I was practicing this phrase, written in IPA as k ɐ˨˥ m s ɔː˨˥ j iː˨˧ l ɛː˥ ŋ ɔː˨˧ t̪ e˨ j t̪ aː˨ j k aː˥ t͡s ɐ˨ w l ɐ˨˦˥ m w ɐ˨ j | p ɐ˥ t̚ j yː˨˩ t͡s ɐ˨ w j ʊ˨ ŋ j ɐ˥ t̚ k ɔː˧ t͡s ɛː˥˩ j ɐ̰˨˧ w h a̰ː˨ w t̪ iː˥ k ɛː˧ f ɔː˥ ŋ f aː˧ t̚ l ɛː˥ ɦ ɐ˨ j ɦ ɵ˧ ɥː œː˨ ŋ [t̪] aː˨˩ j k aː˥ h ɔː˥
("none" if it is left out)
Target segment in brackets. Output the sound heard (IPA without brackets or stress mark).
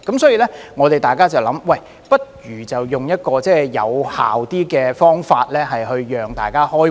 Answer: t̪